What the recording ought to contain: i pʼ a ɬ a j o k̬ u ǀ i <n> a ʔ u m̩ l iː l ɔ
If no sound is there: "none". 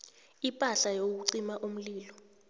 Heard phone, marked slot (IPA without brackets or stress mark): m